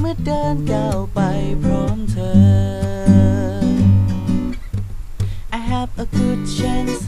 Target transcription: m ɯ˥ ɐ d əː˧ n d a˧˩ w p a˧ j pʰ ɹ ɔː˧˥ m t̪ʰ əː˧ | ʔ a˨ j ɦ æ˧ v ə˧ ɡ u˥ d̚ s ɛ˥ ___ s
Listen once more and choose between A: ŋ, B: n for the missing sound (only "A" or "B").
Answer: B